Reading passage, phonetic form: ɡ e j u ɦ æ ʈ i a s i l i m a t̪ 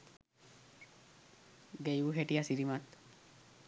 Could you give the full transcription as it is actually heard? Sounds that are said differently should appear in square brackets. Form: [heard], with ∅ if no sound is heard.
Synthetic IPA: ɡ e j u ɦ [e] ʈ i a s i [ɾ] i m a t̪